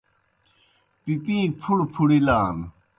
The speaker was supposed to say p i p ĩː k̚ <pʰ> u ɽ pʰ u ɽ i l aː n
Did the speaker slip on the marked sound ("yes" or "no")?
no